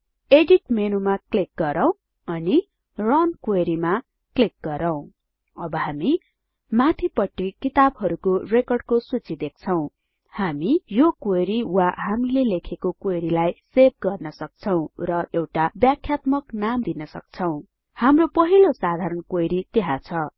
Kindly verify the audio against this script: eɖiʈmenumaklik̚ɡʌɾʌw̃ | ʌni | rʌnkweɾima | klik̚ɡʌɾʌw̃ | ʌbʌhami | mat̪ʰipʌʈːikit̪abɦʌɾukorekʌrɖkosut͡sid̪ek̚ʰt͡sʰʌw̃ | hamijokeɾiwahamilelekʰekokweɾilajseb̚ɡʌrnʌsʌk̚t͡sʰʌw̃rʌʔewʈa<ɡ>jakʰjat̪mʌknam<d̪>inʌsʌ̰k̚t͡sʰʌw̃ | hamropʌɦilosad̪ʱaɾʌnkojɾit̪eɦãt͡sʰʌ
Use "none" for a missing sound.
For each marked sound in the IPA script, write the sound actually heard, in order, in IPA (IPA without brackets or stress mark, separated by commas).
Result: b, d̪